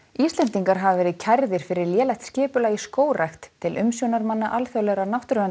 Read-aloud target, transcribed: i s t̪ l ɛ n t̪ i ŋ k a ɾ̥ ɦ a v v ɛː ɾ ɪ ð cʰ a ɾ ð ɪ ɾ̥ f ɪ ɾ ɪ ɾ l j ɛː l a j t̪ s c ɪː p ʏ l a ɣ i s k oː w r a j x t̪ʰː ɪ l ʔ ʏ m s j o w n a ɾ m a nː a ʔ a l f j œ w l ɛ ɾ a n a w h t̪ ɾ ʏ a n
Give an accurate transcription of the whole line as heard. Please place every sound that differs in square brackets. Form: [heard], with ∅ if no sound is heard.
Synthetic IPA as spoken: i s t̪ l ɛ n t̪ i ŋ k a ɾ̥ ɦ a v v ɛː ɾ ɪ ð cʰ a ɾ ð ɪ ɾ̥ f ɪ ɾ ɪ ɾ l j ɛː l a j t̪ s c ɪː p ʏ l a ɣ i s k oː w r a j x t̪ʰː ɪ l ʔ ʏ m s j o w n a ɾ m a nː a ʔ a l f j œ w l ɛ ɾ a n a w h t̪ ɾ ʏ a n